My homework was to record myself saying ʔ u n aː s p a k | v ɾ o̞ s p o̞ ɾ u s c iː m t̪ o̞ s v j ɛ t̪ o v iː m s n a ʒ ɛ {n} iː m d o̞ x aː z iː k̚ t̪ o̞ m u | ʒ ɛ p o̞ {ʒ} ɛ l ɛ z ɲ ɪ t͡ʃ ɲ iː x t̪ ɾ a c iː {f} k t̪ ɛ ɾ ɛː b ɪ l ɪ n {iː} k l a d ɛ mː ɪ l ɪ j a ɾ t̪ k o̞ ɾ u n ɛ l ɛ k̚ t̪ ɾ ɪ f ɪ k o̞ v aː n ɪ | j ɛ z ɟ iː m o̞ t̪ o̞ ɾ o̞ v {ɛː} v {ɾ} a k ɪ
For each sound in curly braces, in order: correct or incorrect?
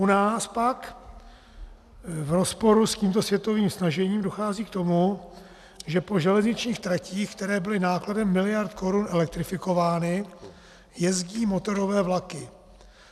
incorrect: ɲ, correct, incorrect: x, incorrect: aː, correct, incorrect: l

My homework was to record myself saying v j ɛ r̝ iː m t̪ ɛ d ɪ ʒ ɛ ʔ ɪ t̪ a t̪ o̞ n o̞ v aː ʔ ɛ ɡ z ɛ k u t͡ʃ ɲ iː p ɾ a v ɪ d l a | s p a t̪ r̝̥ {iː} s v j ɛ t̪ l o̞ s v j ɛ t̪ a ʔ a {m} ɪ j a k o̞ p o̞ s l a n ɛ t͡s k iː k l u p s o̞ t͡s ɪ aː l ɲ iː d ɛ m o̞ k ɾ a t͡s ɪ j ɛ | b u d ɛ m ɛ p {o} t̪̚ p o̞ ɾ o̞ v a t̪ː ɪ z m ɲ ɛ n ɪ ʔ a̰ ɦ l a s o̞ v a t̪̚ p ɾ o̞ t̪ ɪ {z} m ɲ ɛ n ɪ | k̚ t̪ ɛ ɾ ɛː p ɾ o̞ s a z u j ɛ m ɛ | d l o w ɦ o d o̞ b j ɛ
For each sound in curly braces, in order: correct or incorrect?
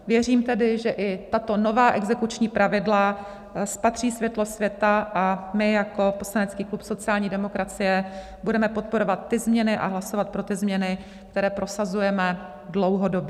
correct, correct, correct, correct

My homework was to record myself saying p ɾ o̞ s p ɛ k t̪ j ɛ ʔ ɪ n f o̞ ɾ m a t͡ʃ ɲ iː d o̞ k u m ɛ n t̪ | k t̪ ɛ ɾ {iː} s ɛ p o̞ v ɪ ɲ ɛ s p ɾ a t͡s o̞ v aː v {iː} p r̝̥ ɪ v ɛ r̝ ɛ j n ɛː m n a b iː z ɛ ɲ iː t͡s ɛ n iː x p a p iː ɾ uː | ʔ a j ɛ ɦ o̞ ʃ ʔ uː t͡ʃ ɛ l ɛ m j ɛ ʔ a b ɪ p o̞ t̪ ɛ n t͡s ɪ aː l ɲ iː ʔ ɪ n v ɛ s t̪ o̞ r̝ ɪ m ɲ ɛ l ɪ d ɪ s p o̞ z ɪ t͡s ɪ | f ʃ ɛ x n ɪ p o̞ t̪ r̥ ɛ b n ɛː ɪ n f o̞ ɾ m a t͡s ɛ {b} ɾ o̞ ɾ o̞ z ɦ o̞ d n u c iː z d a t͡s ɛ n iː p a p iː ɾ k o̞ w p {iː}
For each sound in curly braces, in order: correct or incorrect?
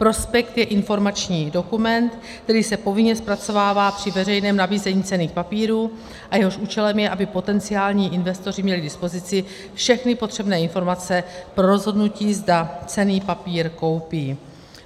correct, incorrect: aː, incorrect: p, correct

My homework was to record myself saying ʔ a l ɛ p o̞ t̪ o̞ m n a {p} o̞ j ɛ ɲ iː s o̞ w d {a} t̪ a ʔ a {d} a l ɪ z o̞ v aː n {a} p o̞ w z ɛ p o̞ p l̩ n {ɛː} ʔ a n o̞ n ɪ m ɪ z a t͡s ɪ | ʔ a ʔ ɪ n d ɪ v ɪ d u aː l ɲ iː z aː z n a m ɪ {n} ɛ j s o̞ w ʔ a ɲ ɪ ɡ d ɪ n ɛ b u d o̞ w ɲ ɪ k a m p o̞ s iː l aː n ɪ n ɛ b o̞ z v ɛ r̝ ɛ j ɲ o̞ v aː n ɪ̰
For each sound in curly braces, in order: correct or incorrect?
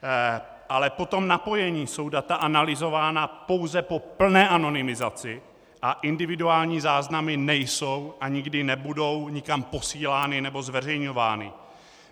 correct, correct, incorrect: n, correct, correct, correct

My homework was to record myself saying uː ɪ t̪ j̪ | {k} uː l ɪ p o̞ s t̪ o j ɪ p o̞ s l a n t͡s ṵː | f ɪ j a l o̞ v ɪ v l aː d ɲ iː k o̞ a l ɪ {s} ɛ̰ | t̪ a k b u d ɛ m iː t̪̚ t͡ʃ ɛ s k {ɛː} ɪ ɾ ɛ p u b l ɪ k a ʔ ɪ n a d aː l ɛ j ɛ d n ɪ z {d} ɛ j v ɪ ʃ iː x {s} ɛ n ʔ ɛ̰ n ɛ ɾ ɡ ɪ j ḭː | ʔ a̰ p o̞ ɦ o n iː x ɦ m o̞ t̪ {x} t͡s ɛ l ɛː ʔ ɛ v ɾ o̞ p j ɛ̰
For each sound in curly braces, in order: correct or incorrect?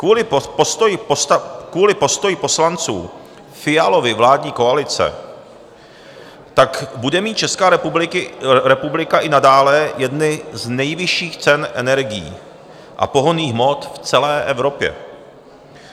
correct, incorrect: t͡s, incorrect: aː, incorrect: n, incorrect: t͡s, incorrect: f

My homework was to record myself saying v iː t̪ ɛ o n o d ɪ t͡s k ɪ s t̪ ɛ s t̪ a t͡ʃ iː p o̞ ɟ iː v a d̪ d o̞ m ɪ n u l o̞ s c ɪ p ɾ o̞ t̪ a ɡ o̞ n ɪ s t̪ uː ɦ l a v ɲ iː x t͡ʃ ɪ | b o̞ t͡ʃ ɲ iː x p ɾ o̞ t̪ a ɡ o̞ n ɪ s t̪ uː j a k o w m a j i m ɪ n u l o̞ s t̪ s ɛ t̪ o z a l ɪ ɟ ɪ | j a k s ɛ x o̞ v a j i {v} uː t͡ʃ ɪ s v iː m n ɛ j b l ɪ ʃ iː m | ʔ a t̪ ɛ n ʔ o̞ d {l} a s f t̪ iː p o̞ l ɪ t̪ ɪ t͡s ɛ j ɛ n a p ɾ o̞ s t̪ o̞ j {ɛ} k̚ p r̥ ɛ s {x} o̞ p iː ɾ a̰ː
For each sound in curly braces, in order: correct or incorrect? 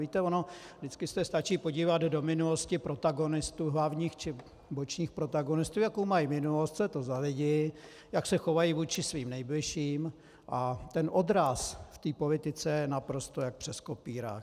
correct, incorrect: ɾ, incorrect: a, incorrect: k

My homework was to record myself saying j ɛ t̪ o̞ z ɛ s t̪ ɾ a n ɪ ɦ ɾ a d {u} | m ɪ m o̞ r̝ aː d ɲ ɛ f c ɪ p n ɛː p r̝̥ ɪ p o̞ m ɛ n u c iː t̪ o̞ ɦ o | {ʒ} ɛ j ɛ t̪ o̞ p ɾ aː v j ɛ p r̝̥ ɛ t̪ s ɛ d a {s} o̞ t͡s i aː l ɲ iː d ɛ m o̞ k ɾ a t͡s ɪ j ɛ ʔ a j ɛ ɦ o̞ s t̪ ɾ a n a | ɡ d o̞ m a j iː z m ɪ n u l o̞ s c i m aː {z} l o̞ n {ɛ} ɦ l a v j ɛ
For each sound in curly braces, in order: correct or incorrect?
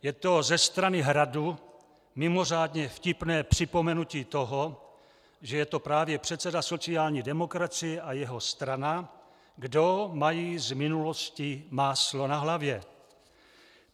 correct, correct, correct, incorrect: s, incorrect: a

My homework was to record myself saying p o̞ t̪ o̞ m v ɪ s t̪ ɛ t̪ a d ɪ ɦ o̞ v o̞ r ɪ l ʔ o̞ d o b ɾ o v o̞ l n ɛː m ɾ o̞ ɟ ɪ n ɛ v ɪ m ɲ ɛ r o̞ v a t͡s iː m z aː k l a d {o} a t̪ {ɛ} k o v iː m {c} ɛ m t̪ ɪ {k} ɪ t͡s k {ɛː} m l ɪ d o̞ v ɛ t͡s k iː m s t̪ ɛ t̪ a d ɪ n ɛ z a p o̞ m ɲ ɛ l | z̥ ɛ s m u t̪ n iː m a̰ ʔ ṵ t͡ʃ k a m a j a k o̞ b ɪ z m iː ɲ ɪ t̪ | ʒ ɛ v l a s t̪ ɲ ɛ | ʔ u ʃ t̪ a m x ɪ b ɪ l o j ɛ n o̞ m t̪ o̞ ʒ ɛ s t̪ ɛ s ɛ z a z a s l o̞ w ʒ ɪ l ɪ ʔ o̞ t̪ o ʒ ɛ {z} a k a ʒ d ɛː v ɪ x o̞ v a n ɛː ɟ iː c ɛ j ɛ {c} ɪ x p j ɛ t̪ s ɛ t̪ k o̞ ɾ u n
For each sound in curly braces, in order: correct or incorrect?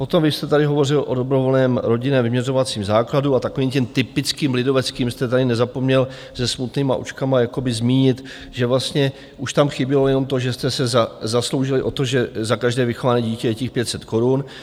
incorrect: u, incorrect: a, correct, incorrect: p, incorrect: iː, correct, correct

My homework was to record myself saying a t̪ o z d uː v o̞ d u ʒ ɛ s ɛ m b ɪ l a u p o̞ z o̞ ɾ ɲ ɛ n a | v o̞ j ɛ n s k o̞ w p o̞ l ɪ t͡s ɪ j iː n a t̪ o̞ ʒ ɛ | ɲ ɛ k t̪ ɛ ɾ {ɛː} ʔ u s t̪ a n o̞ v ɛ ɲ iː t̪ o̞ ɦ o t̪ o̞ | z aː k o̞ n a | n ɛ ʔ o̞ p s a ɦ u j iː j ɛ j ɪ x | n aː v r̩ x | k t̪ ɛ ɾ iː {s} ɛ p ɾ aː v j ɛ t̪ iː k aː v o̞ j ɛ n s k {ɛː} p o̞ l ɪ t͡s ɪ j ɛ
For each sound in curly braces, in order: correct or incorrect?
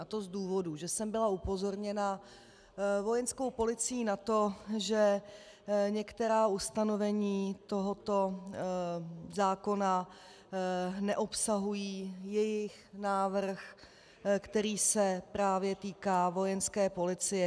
incorrect: aː, correct, correct

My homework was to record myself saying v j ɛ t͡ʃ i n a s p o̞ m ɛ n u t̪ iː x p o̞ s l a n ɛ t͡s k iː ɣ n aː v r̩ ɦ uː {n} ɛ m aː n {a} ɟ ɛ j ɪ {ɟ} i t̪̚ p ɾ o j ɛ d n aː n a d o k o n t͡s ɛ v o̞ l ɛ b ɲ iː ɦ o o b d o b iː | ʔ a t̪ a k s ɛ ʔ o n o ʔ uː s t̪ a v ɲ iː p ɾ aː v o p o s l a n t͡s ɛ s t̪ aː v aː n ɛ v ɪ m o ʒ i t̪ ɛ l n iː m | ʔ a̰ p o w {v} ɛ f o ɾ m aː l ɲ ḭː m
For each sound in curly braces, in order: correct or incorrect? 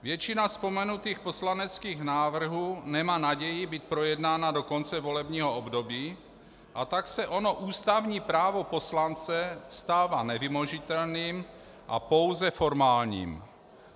correct, correct, incorrect: b, incorrect: z

